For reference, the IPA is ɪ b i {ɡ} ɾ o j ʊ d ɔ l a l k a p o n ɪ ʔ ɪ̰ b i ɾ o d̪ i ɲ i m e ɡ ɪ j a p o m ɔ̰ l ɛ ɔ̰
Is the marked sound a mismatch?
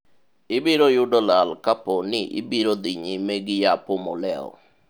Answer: yes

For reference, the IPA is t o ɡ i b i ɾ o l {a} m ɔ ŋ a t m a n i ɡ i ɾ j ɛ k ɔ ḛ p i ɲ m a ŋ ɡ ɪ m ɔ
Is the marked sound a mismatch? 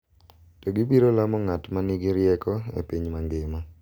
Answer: no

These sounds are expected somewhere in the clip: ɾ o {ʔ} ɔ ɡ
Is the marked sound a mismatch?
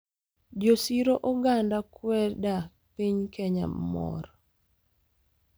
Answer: no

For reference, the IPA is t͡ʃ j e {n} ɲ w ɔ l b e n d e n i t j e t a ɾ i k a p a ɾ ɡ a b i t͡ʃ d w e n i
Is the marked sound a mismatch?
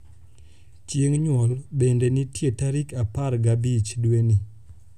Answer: yes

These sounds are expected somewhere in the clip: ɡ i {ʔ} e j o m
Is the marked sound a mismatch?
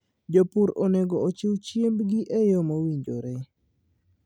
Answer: no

